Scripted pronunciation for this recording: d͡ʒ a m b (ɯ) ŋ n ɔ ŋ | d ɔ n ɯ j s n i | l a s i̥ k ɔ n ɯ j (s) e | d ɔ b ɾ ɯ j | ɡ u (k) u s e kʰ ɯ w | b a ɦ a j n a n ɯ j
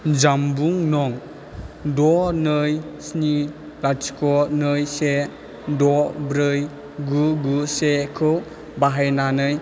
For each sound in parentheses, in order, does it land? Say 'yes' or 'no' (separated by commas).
no, yes, no